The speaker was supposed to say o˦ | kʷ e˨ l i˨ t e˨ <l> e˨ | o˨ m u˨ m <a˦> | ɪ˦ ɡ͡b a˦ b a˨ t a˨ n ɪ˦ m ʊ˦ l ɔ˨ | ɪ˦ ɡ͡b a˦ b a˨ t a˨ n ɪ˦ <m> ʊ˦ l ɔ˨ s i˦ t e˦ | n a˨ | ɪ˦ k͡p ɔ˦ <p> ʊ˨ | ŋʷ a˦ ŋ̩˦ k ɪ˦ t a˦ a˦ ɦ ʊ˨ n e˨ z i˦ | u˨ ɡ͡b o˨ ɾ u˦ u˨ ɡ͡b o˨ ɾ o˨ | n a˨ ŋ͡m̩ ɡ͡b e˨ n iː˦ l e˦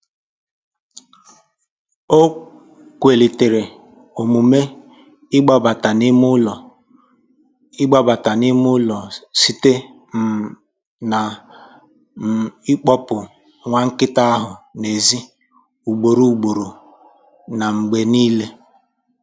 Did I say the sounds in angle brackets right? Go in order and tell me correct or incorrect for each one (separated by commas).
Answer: incorrect, incorrect, correct, correct